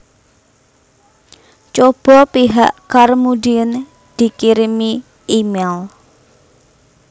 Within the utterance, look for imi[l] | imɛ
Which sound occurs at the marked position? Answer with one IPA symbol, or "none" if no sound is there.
none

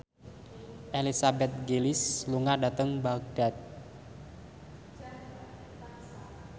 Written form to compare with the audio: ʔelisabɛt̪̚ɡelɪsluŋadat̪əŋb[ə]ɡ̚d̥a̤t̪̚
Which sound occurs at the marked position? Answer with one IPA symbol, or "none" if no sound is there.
a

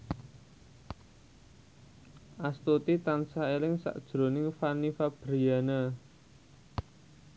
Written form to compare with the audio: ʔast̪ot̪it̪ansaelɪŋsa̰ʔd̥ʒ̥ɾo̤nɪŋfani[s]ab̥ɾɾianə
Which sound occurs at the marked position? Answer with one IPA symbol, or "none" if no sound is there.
f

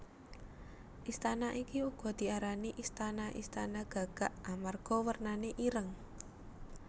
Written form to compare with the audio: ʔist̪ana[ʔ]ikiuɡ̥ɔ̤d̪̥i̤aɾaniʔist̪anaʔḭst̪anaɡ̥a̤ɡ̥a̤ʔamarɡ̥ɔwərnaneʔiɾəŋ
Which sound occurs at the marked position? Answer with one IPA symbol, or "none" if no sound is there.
ʔ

